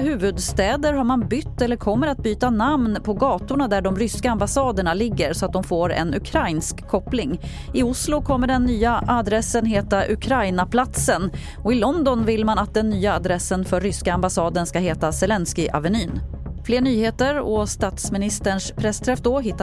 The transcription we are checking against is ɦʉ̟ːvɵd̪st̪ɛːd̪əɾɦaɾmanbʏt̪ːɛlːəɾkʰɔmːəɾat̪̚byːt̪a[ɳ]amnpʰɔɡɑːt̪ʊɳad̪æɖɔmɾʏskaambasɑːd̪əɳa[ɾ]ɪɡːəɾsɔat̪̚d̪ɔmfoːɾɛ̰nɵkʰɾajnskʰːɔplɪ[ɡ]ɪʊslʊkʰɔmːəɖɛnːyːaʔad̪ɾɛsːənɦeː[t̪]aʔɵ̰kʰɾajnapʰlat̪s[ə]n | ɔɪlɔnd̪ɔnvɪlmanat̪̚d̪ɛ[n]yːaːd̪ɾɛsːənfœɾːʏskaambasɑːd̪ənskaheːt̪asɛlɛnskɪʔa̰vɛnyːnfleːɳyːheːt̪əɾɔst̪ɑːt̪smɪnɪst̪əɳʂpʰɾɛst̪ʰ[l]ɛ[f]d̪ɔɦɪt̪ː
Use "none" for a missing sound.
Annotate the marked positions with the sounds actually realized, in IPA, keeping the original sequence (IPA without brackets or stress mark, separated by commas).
n, l, ŋ, t̪, ə, nː, ɾ, f